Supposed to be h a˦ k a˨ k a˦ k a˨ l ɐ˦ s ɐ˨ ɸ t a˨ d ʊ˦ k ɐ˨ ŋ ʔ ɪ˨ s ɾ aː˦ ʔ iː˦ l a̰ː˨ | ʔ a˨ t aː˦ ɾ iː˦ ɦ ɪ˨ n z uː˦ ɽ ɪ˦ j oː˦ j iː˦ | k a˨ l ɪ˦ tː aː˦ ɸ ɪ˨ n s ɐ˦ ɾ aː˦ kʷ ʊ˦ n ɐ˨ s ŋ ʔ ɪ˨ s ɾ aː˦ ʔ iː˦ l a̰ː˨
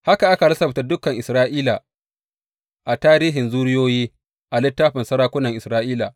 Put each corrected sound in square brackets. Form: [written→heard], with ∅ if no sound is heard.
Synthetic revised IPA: h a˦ k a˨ [k→ʔ] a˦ k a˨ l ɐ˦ s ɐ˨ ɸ t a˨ d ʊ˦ k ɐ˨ ŋ ʔ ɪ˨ s ɾ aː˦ ʔ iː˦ l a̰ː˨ | ʔ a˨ t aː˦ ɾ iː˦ ɦ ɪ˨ n z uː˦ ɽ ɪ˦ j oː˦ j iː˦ | [k→ʔ] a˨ l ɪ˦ tː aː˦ ɸ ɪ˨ n s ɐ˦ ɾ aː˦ kʷ ʊ˦ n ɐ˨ [s→∅] ŋ ʔ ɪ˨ s ɾ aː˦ ʔ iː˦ l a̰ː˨